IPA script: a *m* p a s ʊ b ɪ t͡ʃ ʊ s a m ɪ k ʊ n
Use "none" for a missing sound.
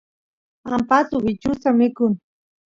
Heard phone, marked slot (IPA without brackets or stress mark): m